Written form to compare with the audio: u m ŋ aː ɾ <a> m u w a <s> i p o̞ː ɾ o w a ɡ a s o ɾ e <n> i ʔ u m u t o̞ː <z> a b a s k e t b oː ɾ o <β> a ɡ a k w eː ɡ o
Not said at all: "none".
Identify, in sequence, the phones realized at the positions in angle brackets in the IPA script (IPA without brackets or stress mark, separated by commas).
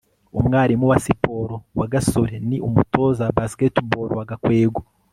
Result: i, s, n, z, w